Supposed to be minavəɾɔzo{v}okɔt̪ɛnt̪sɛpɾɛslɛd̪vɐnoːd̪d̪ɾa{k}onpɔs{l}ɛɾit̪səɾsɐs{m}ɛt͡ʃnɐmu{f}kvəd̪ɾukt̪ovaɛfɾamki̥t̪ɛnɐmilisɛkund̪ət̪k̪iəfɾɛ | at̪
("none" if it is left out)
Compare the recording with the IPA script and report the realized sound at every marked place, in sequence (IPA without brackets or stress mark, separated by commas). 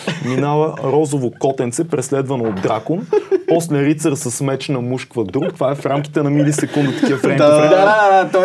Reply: v, k, l, m, ʃ